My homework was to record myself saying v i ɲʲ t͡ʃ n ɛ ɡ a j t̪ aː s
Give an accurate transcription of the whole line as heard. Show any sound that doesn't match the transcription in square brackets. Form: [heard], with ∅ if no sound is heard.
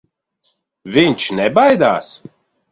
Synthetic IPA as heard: v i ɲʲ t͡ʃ n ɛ [b] a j [d̪] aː s